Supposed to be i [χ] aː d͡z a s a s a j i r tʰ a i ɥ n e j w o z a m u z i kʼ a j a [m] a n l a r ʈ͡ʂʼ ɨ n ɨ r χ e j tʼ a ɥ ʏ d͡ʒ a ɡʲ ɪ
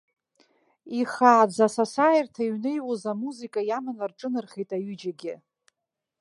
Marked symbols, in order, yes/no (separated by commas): yes, yes